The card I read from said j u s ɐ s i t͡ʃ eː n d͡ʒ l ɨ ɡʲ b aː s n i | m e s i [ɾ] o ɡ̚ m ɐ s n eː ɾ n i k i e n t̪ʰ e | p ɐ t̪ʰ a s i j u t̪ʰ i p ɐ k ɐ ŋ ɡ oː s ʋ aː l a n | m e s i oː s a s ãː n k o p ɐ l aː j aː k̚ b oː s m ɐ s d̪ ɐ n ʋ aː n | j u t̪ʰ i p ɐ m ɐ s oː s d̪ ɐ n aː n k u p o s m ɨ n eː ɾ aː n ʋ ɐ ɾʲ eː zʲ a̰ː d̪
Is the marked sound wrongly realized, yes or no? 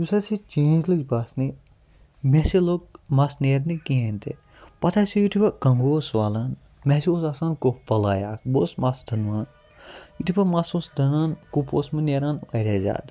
yes